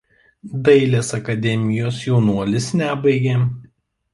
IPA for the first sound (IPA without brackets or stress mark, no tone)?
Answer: d̪